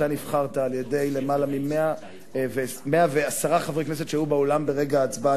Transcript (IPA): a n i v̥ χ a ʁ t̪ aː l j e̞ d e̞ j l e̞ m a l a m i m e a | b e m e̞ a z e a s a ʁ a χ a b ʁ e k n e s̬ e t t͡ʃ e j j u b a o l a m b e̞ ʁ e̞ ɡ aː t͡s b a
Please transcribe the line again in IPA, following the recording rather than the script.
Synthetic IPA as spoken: a n i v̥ χ a ʁ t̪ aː l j e̞ d e̞ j l e̞ m a l a m i m e a | v e m e̞ a v e a s a ʁ a χ a v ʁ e k n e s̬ e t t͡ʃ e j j u b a o l a m b e̞ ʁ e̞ ɡ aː t͡s b a